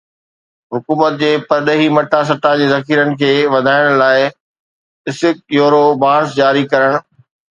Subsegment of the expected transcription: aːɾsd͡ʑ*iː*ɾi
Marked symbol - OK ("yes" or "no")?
no